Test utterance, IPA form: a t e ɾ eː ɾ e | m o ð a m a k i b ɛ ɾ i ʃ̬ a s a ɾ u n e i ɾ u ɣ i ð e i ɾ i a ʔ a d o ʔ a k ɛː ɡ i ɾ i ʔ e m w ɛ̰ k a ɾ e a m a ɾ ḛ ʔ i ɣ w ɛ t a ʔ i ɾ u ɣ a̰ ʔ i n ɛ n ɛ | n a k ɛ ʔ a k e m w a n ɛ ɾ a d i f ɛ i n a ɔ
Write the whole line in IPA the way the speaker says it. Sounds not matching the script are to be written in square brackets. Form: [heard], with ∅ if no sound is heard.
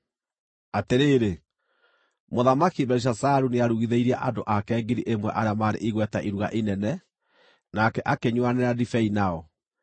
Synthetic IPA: a t e ɾ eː ɾ e | m o ð a m a k i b ɛ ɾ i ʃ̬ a s a ɾ u n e [a] ɾ u ɣ i ð e i ɾ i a ʔ a d o ʔ a k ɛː ɡ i ɾ i ʔ e m w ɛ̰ [ʔ] a ɾ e a m a ɾ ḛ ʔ i ɣ w ɛ t a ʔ i ɾ u ɣ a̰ ʔ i n ɛ n ɛ | n a k ɛ ʔ a k e [ɲ] w a n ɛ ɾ a d i f ɛ i n a ɔ